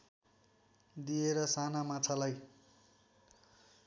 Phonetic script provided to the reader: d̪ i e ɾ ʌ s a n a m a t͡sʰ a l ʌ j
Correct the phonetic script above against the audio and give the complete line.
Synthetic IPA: d̪ i e ɾ ʌ s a n a m a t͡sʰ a l a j